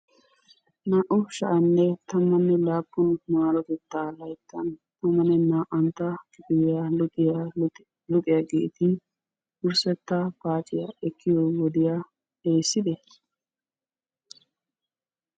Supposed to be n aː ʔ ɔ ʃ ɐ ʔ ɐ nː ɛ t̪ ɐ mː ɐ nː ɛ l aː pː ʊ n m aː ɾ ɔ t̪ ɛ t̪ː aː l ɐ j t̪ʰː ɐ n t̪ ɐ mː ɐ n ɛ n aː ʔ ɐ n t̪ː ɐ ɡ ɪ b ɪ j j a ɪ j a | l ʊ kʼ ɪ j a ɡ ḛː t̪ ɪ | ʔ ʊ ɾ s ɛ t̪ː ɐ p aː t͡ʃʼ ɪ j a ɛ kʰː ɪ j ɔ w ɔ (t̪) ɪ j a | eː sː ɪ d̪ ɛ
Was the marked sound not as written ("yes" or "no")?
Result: yes